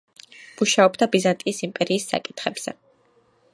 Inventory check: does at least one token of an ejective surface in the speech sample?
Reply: yes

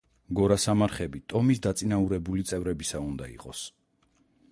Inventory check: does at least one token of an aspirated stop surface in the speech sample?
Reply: no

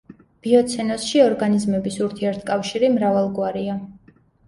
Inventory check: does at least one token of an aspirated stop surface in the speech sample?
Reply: yes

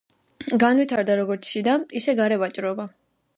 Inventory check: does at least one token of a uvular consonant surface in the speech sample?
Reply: no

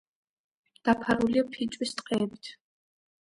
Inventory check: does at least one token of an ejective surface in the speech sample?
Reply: yes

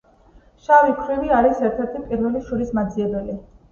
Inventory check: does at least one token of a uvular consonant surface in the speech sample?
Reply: no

